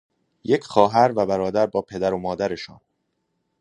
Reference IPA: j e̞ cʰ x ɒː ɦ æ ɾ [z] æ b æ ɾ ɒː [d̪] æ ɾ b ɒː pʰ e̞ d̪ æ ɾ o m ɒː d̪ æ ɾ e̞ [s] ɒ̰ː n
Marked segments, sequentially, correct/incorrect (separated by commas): incorrect, correct, incorrect